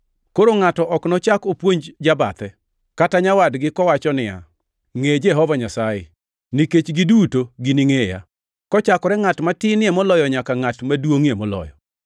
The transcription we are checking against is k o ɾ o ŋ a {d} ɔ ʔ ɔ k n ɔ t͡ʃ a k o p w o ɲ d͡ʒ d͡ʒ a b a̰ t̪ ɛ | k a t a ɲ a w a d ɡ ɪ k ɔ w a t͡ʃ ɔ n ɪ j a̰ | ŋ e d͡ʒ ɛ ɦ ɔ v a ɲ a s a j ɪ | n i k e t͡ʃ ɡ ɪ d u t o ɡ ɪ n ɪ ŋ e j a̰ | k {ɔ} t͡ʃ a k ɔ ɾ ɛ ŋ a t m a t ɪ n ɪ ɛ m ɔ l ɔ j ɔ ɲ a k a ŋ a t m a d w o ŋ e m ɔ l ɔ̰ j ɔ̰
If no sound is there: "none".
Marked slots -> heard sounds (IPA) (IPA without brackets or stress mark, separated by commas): t, ɔ